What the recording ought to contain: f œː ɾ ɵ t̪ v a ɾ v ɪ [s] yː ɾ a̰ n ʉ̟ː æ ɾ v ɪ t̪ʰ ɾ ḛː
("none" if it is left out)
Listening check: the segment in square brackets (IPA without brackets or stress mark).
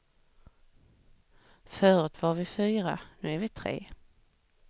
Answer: f